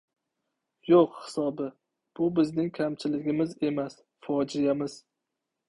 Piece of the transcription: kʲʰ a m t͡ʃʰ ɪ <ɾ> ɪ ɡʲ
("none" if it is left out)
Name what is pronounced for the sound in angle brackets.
l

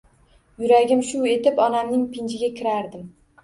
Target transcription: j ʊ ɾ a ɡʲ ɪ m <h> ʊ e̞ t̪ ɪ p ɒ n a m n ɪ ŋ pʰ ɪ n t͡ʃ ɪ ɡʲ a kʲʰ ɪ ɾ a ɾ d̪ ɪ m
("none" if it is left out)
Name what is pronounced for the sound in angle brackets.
ʃ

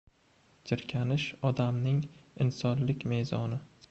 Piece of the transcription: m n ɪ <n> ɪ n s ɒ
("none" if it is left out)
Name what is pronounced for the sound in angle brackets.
ŋ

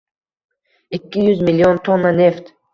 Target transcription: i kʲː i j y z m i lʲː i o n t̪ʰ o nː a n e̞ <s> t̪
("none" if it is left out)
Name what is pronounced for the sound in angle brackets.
f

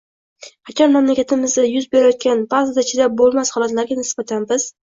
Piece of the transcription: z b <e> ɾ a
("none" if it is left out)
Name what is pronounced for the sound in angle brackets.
e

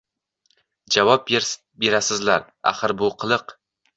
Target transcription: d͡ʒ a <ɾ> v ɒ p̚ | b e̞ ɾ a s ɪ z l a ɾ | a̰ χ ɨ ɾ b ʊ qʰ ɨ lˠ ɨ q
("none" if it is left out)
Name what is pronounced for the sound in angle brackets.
none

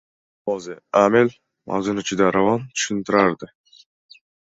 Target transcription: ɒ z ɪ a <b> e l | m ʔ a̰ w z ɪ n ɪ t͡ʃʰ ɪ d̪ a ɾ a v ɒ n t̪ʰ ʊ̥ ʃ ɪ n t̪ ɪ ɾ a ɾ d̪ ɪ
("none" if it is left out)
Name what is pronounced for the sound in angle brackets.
m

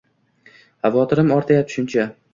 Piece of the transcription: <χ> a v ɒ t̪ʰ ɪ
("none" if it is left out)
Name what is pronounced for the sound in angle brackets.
h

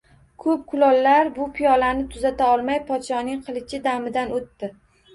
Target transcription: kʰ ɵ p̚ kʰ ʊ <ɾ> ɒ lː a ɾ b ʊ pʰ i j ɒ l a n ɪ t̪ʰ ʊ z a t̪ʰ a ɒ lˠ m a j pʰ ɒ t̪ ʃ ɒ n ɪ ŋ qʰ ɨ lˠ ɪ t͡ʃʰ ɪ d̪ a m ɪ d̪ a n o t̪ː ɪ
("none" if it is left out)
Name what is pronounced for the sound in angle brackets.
l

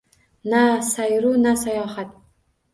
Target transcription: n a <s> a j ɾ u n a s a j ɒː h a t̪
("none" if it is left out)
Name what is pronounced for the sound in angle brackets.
s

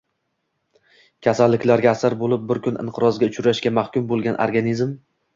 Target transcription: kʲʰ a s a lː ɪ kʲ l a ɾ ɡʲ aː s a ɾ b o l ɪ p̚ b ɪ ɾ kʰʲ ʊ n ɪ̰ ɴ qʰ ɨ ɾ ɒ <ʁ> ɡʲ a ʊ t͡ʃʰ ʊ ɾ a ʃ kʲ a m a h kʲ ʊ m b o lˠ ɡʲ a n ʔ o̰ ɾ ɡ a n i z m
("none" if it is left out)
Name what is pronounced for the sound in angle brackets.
z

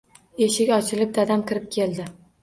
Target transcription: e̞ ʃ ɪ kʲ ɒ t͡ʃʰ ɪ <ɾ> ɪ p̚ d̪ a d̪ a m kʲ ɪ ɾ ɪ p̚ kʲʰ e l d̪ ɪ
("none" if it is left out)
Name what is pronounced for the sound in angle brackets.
l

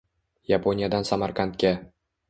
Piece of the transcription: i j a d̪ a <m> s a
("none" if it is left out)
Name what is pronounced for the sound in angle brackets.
n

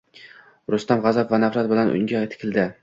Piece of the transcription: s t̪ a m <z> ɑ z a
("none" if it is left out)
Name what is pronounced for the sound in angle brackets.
ʁ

